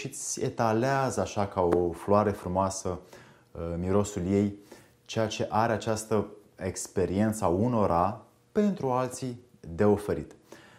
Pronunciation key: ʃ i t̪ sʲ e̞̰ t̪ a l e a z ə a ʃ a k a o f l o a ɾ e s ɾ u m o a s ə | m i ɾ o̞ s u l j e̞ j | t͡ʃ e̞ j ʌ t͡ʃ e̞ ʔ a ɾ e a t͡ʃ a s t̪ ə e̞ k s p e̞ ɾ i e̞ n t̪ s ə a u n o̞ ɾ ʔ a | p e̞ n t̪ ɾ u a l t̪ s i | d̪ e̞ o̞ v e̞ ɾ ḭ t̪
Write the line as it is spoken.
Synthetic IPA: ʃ i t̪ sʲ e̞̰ t̪ a l e a z ə a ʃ a k a o f l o a ɾ e f ɾ u m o a s ə | m i ɾ o̞ s u l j e̞ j | t͡ʃ e̞ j a t͡ʃ e̞ ʔ a ɾ e a t͡ʃ a s t̪ ə e̞ k s p e̞ ɾ i e̞ n t̪ s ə a u n o̞ ɾ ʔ a | p e̞ n t̪ ɾ u a l t̪ s i | d̪ e̞ o̞ f e̞ ɾ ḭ t̪